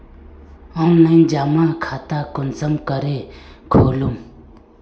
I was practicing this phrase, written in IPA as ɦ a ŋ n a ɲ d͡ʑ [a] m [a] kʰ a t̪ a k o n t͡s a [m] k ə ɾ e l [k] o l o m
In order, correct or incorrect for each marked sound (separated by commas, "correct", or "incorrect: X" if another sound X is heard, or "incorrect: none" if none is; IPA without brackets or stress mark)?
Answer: correct, correct, correct, incorrect: kʰ